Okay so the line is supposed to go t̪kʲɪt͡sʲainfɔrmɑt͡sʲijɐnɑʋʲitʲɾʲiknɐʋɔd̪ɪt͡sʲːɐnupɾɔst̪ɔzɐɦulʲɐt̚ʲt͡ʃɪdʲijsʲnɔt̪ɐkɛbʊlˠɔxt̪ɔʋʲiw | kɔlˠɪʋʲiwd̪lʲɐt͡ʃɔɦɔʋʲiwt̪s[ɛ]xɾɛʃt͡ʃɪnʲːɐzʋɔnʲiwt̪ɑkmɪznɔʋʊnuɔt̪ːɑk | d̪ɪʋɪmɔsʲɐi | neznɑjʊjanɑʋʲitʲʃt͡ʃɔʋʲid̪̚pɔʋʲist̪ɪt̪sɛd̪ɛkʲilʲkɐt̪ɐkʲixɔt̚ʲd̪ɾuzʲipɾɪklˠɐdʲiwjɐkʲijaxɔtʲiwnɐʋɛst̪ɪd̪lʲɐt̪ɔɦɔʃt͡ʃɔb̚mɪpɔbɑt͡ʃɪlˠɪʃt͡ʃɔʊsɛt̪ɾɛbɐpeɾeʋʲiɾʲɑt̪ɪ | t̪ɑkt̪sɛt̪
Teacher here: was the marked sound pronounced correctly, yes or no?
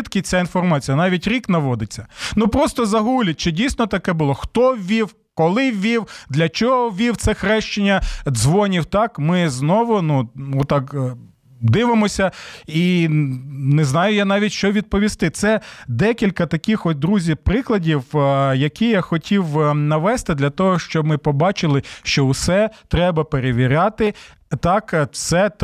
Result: yes